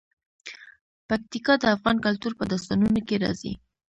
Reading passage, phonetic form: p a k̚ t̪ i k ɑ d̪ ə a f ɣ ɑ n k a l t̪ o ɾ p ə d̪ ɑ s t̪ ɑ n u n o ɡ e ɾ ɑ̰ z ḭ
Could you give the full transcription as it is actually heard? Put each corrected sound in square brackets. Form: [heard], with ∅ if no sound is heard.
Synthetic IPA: p a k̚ t̪ i k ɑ d̪ ə a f ɣ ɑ n k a l t̪ [u] ɾ p ə d̪ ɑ s t̪ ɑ n u n o [k] e ɾ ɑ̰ z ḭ